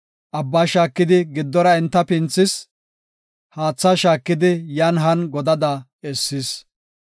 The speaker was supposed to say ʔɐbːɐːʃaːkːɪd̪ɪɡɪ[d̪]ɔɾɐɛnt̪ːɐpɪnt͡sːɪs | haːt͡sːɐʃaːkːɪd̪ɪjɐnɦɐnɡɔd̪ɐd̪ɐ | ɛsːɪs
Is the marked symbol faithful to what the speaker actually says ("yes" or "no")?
no